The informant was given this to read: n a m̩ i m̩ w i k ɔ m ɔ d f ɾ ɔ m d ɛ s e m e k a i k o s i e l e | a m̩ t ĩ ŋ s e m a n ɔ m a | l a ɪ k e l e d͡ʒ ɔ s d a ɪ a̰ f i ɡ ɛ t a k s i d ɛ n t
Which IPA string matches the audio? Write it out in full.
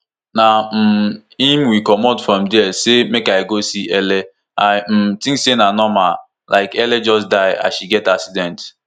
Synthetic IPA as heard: n a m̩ i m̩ w i k ɔ m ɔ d f ɾ ɔ m d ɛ s e m e k a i ɡ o s i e l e | a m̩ t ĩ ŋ s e n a n ɔ m a | l a ɪ k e l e d͡ʒ ɔ s d a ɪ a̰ ʃ i ɡ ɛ t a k s i d ɛ n t

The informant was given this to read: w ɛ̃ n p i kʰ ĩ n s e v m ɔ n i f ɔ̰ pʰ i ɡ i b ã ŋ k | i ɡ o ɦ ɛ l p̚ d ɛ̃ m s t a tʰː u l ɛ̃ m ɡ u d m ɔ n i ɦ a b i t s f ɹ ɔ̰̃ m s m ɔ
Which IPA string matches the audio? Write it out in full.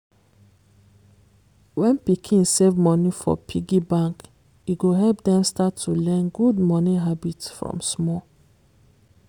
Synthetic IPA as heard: w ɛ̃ n p i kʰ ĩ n s e v m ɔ n i f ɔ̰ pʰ i ɡ i b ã ŋ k | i ɡ o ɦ ɛ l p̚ d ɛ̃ m s t a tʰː u l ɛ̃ n ɡ u d m ɔ n i ɦ a b i t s f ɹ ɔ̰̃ m s m ɔ

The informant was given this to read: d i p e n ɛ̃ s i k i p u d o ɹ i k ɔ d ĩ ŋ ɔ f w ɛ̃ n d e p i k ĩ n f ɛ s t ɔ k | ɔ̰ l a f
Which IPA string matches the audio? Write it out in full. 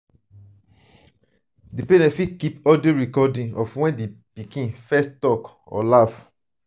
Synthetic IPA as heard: d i p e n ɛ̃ f i k i p ɔ d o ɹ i k ɔ d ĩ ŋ ɔ f w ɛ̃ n d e p i k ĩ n f ɛ s t ɔ k | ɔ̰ l a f

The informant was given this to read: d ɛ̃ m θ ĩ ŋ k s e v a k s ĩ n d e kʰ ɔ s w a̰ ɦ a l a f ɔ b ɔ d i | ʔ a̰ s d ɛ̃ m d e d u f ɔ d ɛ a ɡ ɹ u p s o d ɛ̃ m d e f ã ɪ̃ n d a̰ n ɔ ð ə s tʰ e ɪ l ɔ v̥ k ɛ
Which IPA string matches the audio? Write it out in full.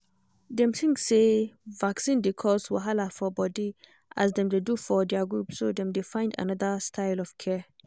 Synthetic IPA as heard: d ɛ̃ m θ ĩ ŋ k s e v a k s ĩ n d e kʰ ɔ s w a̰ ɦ a l a f ɔ b ɔ d i | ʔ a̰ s d ɛ̃ m d e d u f ɔ d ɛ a ɡ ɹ u p s o d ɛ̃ m d e f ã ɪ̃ n d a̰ n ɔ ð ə s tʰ a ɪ l ɔ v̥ kʰ ɛ

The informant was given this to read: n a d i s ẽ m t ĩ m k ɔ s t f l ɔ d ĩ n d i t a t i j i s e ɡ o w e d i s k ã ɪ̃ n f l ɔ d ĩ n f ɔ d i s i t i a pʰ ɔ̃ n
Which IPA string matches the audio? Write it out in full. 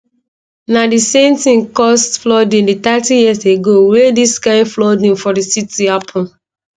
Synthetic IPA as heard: n a d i s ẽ m t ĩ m k ɔ s t f l ɔ d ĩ n d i t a t i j i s e ɡ o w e d i s k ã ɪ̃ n f l ɔ d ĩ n f ɔ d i s i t i a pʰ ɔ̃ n

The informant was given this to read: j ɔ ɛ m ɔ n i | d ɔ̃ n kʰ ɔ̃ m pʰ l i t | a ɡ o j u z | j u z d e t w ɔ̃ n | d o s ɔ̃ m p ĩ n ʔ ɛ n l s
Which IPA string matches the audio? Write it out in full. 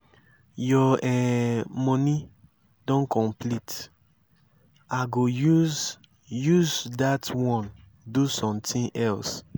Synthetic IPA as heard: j ɔ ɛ m ɔ n i | d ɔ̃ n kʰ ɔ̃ m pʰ l i t | a ɡ o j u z | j u z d a t w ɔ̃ n | d u s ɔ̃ m t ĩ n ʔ ɛ l s

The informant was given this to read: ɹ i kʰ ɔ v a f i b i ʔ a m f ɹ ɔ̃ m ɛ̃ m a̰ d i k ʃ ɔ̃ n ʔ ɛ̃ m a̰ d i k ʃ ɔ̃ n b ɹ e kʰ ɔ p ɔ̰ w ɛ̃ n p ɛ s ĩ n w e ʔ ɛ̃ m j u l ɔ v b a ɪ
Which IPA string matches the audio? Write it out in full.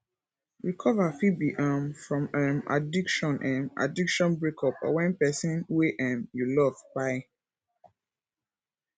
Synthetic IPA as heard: ɹ i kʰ ɔ v a f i b i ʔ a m f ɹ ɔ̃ m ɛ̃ m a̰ d i k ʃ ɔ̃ n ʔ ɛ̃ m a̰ d i k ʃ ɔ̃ n b ɹ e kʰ ɔ p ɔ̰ w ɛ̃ n p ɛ s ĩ n w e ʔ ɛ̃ m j u l ɔ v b a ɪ

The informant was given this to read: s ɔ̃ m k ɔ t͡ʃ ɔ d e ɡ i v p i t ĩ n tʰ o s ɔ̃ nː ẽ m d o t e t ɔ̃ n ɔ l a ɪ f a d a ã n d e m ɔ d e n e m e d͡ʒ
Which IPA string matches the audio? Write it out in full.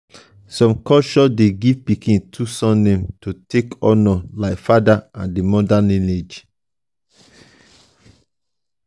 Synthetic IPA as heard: s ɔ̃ m k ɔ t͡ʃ ɔ d e ɡ i v p i k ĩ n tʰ u s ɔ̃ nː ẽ m t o t e k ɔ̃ n ɔ l a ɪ f a d a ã n d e m ɔ d a n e n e d͡ʒ

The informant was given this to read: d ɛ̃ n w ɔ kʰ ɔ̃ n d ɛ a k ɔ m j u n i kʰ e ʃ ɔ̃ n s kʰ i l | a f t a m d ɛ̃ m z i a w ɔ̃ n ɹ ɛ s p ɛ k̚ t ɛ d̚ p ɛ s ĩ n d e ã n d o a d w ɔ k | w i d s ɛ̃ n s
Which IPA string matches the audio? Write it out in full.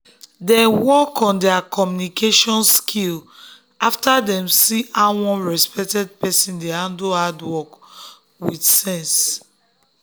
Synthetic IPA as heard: d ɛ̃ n w ɔ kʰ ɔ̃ n d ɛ a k ɔ m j u n i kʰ e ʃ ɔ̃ n s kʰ i l | a f t a d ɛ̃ m s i a w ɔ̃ n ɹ ɛ s p ɛ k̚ t ɛ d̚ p ɛ s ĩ n d e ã n d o a d w ɔ k | w i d s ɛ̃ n s

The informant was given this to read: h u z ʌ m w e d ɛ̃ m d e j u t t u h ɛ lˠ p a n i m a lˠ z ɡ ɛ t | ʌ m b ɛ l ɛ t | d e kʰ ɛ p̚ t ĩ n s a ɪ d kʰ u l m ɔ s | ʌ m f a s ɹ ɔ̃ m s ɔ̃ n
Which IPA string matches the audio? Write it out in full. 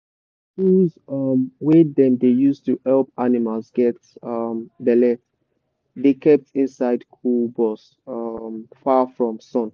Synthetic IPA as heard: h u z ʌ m w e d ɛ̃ m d e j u s t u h ɛ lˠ p a n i m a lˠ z ɡ ɛ t | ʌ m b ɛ l ɛ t | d e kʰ ɛ p̚ t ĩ n s a ɪ d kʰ u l b ɔ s | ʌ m f a f ɹ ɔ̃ m s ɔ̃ n

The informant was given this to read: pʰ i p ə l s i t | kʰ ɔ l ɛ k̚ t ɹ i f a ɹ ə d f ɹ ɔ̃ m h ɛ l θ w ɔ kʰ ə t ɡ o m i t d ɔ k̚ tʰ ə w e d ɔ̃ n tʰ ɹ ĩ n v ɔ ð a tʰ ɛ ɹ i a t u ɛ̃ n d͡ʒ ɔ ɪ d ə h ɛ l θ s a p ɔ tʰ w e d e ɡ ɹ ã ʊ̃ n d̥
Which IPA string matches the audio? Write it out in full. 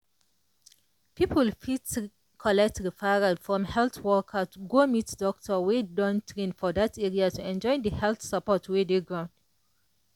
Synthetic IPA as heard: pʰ i p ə l f i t | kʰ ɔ l ɛ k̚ t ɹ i f a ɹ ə d f ɹ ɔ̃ m h ɛ l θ w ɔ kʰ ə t ɡ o m i t d ɔ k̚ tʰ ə w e d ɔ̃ n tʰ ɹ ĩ n f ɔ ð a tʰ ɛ ɹ i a t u ɛ̃ n d͡ʒ ɔ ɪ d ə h ɛ l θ s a p ɔ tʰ w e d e ɡ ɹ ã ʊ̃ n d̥

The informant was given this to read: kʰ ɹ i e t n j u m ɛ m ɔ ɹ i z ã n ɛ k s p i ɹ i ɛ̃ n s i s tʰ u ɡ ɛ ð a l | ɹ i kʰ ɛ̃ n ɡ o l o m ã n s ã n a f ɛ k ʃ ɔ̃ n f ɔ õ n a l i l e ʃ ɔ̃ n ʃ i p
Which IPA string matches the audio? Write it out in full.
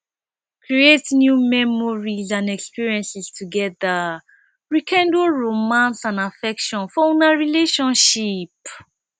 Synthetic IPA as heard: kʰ ɹ i e t n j u m ɛ m ɔ ɹ i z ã n ɛ k s p i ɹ i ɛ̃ n s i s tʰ u ɡ ɛ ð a | ɹ i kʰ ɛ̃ n d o ɹ o m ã n s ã n a f ɛ k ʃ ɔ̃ n f ɔ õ n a ɹ i l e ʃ ɔ̃ n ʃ i p

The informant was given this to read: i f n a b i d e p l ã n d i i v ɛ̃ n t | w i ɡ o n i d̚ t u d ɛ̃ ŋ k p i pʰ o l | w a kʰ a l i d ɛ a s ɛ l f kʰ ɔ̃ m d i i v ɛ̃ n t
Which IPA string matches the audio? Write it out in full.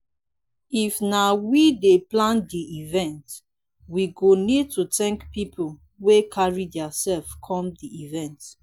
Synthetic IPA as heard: i f n a w i d e p l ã n d i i v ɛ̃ n t | w i ɡ o n i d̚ t u t ɛ̃ ŋ k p i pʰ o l | w e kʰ a ɹ i d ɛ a s ɛ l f kʰ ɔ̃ m d i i v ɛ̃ n t

